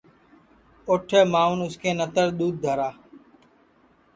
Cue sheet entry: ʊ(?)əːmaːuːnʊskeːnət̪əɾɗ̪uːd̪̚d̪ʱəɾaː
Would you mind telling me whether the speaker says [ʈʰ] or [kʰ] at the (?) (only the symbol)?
ʈʰ